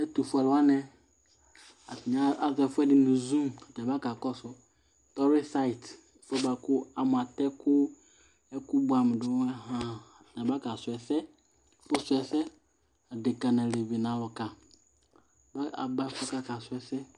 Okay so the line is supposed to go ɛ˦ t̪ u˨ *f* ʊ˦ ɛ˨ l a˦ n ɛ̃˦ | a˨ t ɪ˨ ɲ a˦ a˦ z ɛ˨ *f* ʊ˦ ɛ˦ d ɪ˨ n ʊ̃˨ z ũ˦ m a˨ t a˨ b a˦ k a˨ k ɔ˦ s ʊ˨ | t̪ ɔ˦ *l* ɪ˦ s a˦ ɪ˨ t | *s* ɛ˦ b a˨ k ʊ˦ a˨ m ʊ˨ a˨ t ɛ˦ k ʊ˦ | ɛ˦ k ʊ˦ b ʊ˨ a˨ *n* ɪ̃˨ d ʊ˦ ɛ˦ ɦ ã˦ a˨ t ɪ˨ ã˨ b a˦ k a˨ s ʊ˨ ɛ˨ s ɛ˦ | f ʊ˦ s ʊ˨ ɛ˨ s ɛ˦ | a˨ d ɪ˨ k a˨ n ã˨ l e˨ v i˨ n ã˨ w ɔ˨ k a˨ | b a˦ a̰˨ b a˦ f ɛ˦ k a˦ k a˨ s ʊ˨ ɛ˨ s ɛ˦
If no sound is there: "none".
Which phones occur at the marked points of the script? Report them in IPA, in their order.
f, f, ɾ, f, m

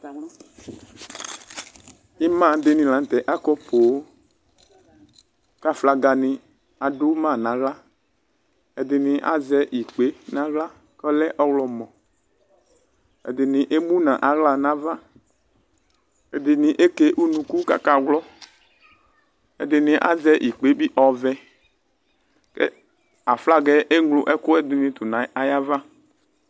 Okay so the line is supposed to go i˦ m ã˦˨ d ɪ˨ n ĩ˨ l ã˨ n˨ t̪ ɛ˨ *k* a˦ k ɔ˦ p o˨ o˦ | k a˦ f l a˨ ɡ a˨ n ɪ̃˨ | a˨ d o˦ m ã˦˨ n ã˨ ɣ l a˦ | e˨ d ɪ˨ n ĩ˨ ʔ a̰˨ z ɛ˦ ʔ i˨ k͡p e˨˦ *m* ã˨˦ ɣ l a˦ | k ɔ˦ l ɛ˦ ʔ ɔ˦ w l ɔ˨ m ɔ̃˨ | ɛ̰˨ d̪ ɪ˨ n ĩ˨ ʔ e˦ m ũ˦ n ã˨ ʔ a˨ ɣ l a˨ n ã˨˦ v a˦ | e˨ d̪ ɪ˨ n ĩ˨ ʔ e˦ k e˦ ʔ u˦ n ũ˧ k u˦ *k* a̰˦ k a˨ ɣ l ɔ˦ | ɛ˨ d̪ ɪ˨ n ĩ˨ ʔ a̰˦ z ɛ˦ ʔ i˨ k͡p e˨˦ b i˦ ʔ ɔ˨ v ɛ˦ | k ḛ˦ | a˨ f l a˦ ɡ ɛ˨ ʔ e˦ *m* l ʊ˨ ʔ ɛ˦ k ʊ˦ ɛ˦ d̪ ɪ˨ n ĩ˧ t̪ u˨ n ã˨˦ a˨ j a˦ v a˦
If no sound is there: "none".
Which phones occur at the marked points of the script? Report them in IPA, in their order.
ʔ, n, k, ŋ

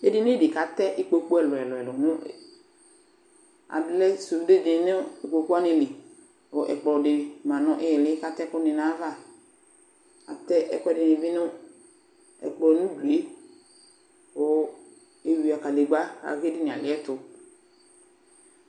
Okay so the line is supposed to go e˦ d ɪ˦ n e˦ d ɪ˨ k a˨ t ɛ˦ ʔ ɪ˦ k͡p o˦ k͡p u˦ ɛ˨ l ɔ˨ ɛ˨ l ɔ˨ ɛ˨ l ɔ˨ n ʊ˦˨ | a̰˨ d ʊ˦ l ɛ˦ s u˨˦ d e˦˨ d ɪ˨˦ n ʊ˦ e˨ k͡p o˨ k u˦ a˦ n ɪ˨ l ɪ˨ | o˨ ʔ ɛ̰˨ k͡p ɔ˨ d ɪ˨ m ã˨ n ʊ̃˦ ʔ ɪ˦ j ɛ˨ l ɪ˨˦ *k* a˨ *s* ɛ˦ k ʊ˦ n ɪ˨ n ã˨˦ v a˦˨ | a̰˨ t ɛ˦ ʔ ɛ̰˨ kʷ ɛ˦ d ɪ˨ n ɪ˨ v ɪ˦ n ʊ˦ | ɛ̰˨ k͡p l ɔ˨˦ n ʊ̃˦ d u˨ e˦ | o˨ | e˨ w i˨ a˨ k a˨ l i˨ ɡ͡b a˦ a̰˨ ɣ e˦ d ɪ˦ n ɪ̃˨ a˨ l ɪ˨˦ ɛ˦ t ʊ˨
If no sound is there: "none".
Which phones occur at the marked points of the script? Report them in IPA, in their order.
k, t

